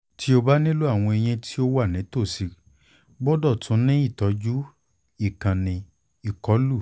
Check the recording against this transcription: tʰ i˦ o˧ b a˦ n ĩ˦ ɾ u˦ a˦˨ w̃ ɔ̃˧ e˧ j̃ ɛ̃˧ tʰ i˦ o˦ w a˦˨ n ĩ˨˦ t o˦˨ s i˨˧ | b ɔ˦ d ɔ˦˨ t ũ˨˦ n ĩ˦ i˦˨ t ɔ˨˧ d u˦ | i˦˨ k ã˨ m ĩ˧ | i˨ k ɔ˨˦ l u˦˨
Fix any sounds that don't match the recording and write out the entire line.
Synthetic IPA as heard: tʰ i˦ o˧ b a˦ n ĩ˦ l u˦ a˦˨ w̃ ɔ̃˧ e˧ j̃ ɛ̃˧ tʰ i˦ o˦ w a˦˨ n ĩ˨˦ t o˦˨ s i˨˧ | b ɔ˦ d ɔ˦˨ t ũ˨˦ n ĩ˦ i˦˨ t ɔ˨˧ d͡ʒ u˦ | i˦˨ k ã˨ n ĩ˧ | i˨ k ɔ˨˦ l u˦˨